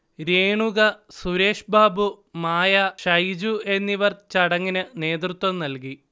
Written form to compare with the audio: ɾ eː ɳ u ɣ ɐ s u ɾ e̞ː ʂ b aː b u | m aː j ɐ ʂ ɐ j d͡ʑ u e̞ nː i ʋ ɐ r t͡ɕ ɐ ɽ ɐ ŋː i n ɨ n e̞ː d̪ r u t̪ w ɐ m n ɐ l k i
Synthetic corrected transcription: ɾ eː ɳ u ɣ ɐ s u ɾ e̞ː ʂ b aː b u | m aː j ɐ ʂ ɐ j d͡ʑ u e̞ nː i ʋ ɐ r t͡ɕ ɐ ɽ ɐ ŋː i n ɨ n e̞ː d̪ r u t̪ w ɐ m n ɐ l k i